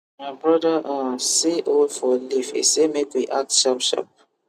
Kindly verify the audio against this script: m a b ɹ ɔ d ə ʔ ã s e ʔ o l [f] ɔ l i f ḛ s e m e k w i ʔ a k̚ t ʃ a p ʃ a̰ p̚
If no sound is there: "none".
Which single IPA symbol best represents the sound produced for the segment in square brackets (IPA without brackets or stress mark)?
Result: f